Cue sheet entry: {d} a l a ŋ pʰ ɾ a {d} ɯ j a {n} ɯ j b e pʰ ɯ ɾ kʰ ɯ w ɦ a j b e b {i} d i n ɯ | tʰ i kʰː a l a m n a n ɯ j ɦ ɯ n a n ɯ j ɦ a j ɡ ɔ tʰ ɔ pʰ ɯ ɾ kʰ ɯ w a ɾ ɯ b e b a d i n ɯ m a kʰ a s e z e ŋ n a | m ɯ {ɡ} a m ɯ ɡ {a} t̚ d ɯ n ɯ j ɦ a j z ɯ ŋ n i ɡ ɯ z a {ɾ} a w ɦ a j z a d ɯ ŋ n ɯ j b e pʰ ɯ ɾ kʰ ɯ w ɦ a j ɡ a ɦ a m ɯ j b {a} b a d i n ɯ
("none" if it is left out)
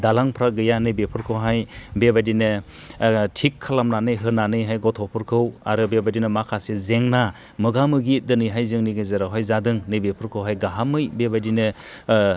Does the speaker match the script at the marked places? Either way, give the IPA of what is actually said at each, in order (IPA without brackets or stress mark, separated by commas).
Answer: d, ɡ, n, a, ɡ, i, ɾ, e